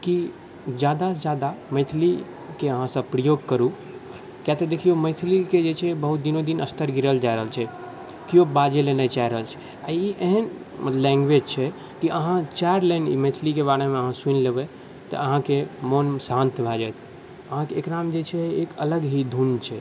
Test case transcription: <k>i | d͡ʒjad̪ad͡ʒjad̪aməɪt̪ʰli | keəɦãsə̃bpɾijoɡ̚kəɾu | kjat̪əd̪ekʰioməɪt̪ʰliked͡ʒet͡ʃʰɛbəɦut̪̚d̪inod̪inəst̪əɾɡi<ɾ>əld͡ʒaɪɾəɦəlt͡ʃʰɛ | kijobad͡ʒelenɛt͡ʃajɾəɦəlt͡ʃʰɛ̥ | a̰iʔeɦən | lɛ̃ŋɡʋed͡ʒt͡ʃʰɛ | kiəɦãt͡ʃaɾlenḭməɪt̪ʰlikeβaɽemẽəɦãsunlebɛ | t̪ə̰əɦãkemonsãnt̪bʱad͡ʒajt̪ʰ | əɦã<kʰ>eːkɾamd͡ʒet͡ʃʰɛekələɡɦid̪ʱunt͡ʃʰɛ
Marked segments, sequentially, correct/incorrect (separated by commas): correct, correct, incorrect